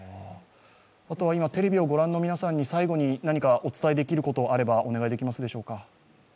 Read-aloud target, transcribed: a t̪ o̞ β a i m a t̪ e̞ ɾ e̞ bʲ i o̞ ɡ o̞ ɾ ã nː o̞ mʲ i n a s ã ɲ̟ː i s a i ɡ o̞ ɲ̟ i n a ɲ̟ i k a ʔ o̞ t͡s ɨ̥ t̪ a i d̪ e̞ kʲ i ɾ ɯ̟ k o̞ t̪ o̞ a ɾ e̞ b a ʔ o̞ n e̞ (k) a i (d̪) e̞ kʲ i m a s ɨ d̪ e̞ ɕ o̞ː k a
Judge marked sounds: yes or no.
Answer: no, yes

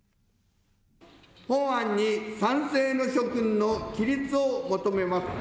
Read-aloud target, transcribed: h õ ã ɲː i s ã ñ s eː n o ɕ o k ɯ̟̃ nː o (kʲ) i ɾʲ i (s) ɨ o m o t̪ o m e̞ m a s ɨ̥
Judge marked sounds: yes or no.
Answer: yes, no

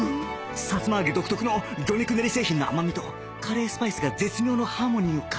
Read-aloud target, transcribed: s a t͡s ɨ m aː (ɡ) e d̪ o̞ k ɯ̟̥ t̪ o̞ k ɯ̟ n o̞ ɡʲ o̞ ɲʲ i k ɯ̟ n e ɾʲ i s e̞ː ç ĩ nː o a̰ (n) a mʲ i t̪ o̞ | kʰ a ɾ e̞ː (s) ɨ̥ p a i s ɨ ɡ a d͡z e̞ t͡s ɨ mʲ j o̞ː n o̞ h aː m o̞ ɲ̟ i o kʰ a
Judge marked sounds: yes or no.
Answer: yes, no, yes

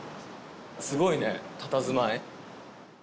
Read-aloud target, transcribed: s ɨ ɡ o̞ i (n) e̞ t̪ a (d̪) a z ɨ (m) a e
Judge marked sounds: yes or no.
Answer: yes, no, yes

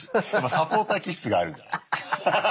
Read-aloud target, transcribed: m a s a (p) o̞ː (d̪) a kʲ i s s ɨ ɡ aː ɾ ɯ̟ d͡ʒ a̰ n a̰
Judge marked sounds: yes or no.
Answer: yes, no

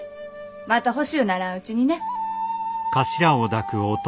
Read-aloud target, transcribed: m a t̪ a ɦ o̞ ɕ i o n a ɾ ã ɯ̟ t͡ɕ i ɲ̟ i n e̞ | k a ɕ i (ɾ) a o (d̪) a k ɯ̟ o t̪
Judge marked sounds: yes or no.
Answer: yes, yes

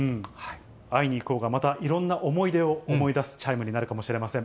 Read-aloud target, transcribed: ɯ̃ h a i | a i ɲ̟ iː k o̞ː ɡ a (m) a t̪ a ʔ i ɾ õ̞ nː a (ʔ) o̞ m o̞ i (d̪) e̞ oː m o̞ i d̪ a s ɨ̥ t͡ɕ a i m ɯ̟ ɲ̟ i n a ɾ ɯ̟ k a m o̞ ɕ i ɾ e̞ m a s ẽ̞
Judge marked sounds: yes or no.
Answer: yes, yes, yes

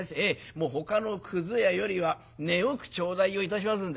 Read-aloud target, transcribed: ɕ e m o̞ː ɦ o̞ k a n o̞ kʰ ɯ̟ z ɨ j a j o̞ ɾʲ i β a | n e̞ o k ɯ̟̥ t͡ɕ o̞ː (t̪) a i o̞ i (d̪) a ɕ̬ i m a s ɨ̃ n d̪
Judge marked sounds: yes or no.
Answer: no, no

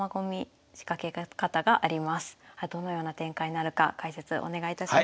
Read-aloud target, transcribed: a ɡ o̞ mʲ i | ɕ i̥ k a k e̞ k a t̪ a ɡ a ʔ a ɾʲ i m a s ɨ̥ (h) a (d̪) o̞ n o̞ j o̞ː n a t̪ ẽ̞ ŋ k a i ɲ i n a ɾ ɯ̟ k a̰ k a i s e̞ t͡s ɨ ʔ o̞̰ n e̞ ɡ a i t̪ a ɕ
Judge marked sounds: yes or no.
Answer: yes, yes

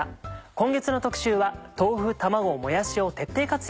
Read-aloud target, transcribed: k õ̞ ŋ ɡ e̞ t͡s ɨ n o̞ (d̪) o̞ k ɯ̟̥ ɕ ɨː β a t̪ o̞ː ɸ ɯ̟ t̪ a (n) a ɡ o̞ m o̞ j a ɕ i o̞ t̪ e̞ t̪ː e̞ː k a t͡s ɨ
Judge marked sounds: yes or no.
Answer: no, no

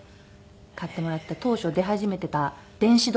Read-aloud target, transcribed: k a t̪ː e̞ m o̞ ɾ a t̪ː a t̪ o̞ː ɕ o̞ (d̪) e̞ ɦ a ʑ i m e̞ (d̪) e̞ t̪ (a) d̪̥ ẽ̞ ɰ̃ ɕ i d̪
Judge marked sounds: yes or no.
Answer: yes, no, yes

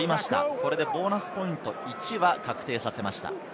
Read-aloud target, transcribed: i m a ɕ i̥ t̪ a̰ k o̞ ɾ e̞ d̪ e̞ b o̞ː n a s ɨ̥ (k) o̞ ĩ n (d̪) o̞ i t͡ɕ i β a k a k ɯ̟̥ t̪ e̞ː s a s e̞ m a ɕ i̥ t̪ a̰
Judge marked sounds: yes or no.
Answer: no, no

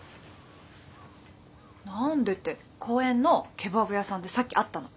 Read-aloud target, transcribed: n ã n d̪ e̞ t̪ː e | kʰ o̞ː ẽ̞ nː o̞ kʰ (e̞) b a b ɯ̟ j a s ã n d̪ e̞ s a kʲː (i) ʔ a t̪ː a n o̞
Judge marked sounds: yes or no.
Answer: yes, yes

